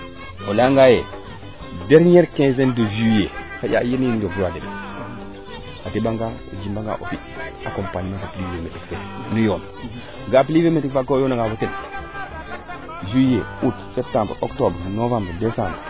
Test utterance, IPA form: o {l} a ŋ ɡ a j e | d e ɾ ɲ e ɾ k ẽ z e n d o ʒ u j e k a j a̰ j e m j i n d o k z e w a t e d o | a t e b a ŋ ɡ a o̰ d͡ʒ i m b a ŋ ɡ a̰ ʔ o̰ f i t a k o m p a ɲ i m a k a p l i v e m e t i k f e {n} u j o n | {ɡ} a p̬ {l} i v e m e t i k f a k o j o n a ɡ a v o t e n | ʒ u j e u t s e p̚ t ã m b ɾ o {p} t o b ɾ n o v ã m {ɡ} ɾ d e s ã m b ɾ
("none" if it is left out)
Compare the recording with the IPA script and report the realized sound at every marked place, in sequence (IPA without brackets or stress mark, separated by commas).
l, n, ɡ, l, k, b